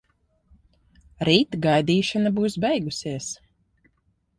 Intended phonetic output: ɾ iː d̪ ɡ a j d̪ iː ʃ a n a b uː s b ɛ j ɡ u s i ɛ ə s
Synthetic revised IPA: ɾ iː t̪ ɡ a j d̪ iː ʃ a n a b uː s b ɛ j ɡ u s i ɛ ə s